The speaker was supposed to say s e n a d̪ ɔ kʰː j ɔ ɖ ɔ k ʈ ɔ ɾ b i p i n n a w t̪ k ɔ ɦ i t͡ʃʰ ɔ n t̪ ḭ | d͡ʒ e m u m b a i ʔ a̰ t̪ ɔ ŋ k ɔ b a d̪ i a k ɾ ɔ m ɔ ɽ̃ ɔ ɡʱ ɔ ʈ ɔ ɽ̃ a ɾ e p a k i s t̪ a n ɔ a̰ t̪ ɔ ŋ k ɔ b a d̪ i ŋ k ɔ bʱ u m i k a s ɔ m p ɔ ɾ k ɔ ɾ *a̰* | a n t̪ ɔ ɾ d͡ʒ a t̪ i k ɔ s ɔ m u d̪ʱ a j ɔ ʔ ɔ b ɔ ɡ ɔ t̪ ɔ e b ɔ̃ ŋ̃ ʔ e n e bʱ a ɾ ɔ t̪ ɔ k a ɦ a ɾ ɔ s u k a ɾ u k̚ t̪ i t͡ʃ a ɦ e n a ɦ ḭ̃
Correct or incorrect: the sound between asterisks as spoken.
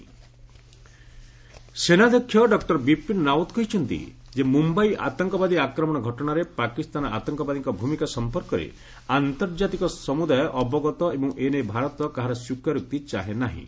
incorrect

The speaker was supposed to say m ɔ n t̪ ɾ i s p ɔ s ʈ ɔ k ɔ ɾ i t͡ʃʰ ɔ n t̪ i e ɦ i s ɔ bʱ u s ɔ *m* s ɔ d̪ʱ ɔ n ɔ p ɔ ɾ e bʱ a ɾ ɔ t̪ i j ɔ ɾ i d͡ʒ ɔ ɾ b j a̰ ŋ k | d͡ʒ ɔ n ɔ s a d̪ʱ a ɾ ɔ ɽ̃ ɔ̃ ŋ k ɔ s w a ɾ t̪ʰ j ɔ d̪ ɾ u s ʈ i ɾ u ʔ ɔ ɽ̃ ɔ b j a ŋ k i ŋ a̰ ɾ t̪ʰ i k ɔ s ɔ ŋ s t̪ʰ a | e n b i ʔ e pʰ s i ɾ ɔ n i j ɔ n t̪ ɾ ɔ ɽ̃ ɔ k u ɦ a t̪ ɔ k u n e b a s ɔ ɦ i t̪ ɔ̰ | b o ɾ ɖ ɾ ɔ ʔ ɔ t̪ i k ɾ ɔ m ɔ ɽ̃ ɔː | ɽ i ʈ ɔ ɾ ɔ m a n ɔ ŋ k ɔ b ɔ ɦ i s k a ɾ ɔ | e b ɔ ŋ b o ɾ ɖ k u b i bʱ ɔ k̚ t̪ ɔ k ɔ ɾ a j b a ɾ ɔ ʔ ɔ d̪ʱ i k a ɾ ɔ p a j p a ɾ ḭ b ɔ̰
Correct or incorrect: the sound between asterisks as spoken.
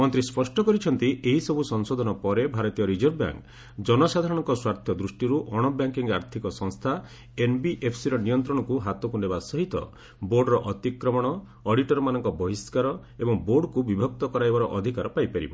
incorrect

